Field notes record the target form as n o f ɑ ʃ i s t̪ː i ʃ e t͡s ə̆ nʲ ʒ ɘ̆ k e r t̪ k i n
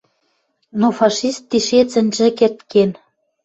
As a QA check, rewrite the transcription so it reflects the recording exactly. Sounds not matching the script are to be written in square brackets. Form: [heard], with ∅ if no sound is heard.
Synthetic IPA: n o f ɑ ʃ i s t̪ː i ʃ e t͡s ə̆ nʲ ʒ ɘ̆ k e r t̪ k [e] n